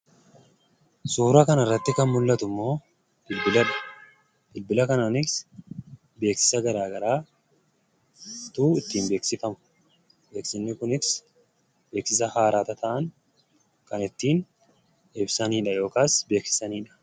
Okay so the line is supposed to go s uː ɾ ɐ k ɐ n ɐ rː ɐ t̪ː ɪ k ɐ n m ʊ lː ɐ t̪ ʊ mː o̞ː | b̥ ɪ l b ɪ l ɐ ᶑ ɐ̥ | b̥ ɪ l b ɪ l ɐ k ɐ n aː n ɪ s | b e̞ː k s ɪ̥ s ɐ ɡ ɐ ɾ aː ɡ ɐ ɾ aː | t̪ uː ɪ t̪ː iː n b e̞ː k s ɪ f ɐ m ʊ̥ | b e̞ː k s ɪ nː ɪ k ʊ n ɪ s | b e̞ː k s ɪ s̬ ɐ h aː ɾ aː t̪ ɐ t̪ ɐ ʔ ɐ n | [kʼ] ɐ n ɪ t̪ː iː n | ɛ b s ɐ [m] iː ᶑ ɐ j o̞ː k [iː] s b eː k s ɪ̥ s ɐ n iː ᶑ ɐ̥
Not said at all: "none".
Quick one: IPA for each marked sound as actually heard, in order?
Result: k, n, aː

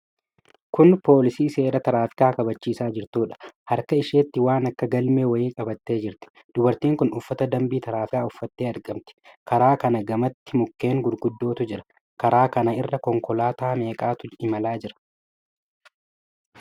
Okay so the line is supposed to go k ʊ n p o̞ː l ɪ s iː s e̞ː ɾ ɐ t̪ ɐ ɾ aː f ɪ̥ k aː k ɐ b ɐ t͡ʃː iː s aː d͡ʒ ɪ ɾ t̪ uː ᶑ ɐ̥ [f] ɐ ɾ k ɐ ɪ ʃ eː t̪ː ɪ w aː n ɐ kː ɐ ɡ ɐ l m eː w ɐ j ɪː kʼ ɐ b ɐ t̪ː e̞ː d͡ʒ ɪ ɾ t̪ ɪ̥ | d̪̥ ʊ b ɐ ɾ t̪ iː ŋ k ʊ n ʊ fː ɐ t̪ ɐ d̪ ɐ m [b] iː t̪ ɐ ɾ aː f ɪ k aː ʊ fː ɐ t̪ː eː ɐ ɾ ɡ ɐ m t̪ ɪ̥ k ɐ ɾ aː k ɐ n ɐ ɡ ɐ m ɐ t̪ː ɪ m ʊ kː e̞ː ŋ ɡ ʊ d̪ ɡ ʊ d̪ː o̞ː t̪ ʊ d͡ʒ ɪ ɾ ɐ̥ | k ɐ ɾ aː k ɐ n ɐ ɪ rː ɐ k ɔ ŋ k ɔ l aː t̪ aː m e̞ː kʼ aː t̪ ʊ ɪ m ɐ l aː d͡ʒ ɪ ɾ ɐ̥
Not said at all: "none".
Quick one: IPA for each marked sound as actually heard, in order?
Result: h, b

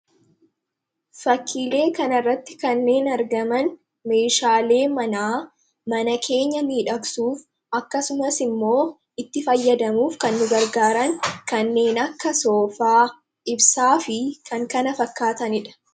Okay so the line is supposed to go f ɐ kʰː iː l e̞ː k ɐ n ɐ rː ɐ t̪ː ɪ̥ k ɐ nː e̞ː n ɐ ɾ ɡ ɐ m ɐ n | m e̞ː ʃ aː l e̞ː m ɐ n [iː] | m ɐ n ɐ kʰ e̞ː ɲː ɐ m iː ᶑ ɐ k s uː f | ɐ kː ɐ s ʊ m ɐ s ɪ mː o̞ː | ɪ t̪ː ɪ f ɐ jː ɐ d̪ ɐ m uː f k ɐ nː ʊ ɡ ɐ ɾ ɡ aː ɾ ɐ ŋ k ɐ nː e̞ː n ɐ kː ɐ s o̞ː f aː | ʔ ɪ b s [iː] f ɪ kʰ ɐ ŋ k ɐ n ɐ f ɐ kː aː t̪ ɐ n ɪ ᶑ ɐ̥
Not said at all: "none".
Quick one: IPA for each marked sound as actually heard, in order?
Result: aː, aː

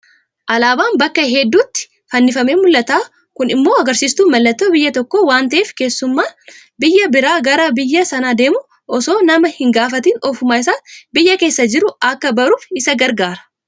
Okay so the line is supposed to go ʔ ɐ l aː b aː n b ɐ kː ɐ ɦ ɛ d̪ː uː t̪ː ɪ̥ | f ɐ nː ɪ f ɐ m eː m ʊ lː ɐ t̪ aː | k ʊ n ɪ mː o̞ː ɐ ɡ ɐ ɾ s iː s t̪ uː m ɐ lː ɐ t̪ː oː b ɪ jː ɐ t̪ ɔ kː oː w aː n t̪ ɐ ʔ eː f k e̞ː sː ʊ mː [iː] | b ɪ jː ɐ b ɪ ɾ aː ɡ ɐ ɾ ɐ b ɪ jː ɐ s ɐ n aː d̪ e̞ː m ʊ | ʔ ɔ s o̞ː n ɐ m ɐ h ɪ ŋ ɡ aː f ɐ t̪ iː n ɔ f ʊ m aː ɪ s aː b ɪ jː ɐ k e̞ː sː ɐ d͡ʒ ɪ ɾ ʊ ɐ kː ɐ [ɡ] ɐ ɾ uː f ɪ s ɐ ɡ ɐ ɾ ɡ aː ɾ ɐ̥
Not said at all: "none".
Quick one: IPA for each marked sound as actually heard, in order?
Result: aː, b

